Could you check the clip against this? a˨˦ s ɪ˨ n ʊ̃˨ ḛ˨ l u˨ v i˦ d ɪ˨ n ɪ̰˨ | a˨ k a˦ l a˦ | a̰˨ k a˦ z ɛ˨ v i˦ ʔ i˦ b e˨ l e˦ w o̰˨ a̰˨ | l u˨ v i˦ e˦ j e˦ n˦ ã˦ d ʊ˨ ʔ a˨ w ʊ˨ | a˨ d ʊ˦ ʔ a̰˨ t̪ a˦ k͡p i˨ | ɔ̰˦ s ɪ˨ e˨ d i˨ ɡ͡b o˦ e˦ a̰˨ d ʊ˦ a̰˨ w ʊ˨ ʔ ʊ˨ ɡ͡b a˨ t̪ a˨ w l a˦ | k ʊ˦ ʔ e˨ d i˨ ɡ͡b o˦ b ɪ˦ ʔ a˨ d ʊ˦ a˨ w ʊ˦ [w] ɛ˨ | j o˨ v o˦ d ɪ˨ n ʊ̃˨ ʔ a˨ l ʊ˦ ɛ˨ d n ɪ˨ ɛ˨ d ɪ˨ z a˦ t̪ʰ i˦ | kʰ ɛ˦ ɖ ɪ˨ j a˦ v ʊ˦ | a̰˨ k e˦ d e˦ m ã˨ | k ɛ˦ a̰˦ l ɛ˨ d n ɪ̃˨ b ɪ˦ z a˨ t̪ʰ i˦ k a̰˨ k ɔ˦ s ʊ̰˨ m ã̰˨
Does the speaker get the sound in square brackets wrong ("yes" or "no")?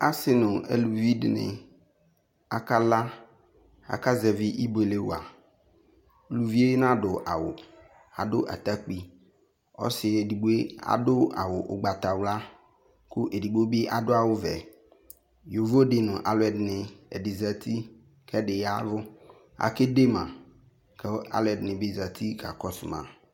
yes